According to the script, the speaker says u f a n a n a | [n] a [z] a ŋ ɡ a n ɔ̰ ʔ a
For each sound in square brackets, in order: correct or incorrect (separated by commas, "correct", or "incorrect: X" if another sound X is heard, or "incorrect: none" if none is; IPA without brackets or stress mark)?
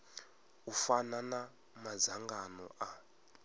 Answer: incorrect: m, correct